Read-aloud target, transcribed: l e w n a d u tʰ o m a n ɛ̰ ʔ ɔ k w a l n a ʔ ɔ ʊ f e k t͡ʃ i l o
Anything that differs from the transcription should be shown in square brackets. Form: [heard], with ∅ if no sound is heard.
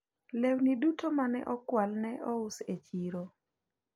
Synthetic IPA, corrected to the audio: l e w n [i] d u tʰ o m a n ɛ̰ ʔ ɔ k w a l n [ɛ] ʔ ɔ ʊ [s] e [∅] t͡ʃ i [ɾ] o